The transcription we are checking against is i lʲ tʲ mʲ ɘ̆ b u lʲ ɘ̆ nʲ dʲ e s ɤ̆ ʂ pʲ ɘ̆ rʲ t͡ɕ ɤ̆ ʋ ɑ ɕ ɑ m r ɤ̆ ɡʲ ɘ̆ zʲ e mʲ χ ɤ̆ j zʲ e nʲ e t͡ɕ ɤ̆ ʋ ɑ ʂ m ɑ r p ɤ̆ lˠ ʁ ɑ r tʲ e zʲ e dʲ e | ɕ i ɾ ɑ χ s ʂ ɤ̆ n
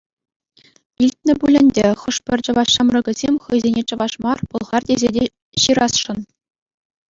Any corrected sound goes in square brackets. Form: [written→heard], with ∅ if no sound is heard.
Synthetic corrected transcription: i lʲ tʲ [mʲ→nʲ] ɘ̆ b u lʲ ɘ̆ nʲ dʲ e [s→χ] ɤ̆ ʂ pʲ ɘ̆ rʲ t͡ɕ ɤ̆ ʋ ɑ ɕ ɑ m r ɤ̆ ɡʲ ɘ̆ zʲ e mʲ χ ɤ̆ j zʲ e nʲ e t͡ɕ ɤ̆ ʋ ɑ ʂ m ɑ r p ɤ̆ lˠ ʁ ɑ r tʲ e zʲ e dʲ e | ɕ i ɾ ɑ [χ→∅] s ʂ ɤ̆ n